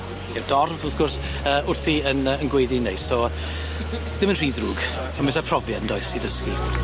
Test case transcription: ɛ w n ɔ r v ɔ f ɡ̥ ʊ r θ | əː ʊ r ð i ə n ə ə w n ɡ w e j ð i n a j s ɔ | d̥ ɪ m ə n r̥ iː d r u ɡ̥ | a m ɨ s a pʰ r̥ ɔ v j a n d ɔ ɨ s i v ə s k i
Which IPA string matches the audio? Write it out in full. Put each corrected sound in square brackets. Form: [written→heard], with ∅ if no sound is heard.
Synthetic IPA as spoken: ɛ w [n→d] ɔ r v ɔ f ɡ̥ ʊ r [θ→s] | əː ʊ r [ð→θ] i ə n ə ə [w→∅] n ɡ w e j ð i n [a→e] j s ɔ | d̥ ɪ m ə n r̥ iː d r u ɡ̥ | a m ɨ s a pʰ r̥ ɔ v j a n d ɔ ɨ s i [v→ð] ə s k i